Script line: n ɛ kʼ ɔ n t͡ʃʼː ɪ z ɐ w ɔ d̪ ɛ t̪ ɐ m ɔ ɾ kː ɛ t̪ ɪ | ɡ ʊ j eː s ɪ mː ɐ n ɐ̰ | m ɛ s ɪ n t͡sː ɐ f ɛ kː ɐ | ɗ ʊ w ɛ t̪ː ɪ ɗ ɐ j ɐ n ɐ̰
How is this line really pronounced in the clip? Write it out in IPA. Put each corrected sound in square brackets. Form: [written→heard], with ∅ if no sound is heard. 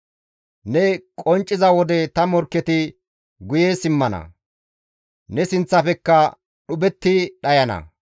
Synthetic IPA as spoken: n ɛ kʼ ɔ n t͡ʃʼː ɪ z ɐ w ɔ d̪ ɛ t̪ ɐ m ɔ ɾ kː ɛ t̪ ɪ | ɡ ʊ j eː s ɪ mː ɐ n ɐ̰ | [m→n] ɛ s ɪ n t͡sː ɐ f ɛ kː ɐ | ɗ ʊ [w→b] ɛ t̪ː ɪ ɗ ɐ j ɐ n ɐ̰